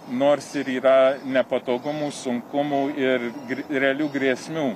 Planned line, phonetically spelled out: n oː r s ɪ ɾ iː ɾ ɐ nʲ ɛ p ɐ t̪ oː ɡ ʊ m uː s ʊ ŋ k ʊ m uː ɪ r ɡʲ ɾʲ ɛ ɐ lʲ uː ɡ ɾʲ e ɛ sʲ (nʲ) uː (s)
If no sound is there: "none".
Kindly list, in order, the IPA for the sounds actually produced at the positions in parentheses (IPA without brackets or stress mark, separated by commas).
mʲ, none